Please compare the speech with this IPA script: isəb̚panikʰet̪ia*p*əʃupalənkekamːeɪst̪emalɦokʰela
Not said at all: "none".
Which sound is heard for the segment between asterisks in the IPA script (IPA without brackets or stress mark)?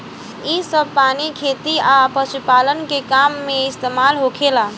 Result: p